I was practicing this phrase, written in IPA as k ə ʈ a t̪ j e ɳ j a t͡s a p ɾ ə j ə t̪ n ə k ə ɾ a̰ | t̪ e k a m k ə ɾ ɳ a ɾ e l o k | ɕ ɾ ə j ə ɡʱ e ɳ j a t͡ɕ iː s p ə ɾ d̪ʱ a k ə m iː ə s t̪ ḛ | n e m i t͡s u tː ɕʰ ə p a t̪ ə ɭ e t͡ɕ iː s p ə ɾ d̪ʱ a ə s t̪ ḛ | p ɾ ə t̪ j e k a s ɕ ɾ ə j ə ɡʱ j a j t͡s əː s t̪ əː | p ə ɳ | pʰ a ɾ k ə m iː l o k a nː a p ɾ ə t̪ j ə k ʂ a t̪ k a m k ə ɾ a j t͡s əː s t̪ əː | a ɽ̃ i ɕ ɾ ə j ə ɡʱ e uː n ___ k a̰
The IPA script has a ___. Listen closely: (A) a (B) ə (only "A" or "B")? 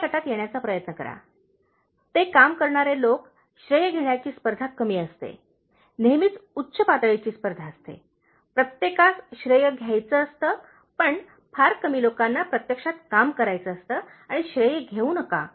B